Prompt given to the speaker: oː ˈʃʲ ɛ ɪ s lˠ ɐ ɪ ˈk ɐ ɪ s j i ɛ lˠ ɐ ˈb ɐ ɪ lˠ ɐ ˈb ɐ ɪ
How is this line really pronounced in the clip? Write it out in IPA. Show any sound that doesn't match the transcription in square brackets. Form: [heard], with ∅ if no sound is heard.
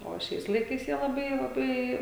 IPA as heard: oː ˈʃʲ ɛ ɪ s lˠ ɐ ɪ ˈk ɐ ɪ s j i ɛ lˠ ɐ ˈb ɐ ɪ lˠ ɐ ˈb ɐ ɪ